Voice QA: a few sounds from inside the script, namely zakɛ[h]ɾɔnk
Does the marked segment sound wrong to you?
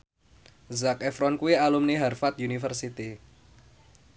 yes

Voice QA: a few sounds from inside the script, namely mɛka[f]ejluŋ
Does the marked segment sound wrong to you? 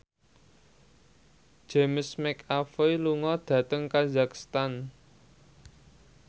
no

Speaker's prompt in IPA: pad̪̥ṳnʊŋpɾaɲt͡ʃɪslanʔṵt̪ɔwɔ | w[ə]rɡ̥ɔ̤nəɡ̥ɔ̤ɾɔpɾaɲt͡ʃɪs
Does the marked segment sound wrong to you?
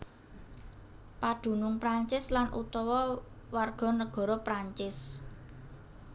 yes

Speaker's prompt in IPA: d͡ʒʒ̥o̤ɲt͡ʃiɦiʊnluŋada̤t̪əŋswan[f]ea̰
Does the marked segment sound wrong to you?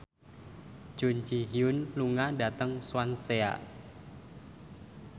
yes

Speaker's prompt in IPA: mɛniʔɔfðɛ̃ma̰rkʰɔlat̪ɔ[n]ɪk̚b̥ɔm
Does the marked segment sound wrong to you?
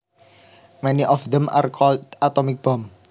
yes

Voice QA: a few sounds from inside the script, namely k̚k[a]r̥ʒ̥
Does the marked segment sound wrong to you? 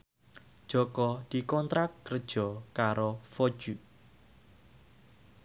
yes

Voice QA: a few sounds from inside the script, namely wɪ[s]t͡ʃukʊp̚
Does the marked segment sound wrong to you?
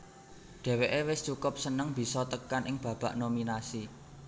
no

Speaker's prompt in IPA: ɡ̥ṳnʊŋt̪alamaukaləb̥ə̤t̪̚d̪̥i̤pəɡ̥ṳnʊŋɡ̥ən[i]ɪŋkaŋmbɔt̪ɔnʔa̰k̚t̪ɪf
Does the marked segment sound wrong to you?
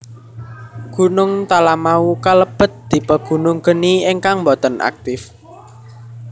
no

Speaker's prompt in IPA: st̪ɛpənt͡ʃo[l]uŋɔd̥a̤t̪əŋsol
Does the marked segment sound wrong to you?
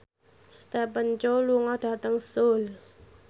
no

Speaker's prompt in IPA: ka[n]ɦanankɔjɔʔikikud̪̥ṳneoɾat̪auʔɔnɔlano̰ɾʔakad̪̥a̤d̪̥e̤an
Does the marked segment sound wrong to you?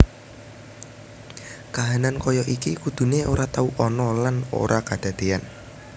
yes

